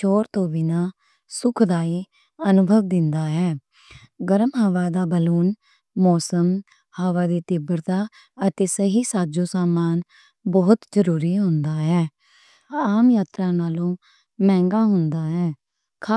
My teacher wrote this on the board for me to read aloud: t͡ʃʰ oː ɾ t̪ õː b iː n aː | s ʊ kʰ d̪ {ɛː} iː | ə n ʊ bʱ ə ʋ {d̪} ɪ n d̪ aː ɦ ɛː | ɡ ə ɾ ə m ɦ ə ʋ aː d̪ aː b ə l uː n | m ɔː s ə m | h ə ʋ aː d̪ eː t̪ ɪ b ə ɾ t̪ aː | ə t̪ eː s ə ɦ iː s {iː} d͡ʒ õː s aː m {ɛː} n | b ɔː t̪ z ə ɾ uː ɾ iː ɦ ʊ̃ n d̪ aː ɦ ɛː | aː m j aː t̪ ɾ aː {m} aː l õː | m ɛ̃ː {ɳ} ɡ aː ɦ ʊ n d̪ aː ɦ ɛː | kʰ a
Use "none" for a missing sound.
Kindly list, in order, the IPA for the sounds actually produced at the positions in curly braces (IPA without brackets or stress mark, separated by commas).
aː, d̪, aː, aː, n, ŋ